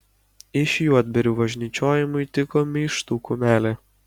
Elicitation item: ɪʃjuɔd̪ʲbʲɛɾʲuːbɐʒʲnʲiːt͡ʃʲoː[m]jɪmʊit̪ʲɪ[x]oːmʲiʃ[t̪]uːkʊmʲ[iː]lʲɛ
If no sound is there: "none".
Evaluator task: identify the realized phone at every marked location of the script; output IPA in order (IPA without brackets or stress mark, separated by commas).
none, k, t̪, æː